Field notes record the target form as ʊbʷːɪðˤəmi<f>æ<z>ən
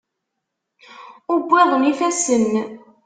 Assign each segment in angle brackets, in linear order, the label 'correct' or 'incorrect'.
correct, incorrect: s

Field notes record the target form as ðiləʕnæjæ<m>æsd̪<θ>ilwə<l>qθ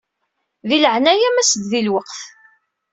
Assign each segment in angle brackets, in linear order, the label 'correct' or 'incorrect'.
correct, incorrect: ð, incorrect: none

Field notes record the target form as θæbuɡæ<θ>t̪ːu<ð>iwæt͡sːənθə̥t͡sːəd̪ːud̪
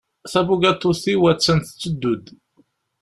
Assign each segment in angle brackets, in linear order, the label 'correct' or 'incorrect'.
incorrect: none, incorrect: θ

